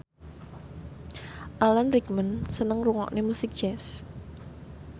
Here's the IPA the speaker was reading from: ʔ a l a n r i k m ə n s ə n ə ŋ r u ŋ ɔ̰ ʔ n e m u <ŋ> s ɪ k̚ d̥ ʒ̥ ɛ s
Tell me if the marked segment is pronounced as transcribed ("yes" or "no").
no